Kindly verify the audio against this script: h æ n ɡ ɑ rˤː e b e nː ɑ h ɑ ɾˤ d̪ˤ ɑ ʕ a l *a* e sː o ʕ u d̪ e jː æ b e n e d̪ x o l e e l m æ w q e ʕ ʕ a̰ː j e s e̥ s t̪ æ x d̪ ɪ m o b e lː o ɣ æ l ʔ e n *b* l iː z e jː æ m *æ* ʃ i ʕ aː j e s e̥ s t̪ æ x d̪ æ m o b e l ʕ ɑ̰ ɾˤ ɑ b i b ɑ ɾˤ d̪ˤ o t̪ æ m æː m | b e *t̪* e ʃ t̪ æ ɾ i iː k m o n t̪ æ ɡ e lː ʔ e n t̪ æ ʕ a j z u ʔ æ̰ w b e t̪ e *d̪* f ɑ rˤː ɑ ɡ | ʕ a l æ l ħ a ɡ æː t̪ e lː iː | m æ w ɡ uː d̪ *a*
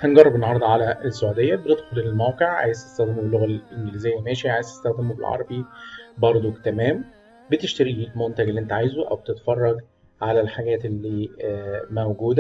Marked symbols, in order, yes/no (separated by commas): no, no, no, yes, no, no